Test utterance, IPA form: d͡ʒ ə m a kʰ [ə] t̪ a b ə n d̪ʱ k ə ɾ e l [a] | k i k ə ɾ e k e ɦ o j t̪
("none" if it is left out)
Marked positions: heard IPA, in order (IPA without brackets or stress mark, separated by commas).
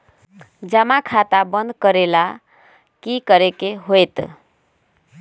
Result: a, a